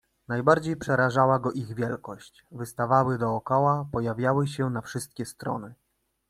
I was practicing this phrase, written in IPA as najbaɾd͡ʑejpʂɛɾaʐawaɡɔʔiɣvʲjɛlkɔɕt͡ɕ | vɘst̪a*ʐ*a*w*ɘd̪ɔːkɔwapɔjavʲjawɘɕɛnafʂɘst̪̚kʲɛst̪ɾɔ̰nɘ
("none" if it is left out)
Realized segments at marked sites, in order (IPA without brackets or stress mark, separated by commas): v, w